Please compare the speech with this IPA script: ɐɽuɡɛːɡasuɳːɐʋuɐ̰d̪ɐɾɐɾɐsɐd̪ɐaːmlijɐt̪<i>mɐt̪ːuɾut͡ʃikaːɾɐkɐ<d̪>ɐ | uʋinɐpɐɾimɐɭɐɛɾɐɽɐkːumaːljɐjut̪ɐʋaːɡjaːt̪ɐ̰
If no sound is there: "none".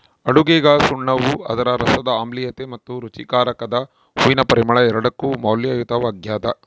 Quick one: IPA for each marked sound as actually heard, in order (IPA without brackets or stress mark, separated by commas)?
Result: e, d̪